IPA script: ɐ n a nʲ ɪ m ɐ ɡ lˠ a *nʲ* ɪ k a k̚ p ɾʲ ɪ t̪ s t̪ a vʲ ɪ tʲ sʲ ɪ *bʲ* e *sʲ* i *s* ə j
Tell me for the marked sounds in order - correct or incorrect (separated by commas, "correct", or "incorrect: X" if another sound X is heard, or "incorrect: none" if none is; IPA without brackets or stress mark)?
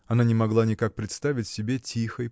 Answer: correct, correct, incorrect: tʲ, incorrect: x